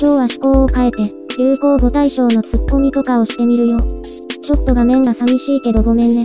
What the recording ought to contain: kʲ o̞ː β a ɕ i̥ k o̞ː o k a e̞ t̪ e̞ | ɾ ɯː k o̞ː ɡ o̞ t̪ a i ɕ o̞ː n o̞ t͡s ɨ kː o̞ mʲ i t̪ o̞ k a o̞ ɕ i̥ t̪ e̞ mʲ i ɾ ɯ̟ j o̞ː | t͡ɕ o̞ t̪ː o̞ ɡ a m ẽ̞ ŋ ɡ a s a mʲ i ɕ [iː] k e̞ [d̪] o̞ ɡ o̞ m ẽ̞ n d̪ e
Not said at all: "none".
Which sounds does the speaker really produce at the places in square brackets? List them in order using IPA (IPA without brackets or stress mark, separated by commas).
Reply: iː, d̪